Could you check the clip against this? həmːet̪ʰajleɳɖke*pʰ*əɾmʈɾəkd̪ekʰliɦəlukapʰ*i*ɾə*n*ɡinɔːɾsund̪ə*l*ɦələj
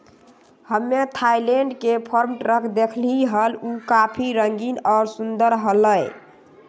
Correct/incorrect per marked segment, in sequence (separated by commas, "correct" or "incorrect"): correct, correct, incorrect, incorrect